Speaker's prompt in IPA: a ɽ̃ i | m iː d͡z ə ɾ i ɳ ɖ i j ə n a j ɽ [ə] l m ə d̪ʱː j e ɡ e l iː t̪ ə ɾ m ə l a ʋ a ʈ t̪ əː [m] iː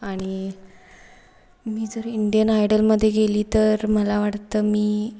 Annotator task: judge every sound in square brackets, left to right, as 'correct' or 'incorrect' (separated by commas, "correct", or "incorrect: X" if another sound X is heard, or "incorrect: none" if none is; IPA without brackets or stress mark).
correct, correct